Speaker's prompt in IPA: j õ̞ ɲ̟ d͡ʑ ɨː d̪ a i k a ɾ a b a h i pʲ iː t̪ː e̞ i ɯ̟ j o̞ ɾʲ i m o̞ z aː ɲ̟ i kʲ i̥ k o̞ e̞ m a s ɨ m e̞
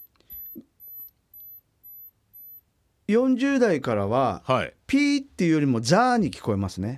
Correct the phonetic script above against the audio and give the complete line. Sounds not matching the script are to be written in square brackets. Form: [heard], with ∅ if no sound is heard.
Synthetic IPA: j õ̞ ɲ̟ d͡ʑ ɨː d̪ a i k a ɾ a [β] a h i pʲ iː t̪ː e̞ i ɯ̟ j o̞ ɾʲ i m o̞ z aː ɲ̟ i kʲ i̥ k o̞ e̞ m a s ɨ [n] e̞